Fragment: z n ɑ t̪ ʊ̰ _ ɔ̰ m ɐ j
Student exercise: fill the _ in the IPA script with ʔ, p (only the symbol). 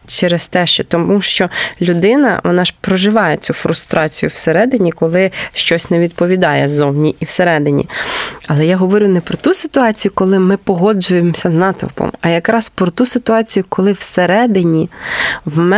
p